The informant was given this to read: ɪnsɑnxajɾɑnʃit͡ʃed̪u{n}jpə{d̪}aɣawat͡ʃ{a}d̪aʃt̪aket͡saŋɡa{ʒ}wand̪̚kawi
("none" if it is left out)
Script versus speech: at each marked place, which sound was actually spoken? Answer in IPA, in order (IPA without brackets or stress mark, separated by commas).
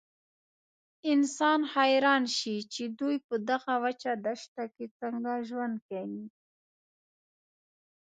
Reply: none, d̪, a, ʒ